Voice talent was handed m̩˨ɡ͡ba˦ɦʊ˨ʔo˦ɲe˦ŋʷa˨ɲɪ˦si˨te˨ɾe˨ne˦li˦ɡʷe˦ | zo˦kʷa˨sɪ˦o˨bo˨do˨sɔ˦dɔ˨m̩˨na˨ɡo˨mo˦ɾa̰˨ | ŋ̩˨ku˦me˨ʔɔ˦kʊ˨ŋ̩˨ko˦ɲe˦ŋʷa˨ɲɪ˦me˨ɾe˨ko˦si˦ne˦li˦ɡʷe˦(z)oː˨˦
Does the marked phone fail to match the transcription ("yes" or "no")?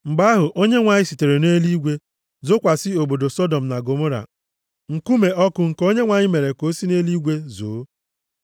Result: no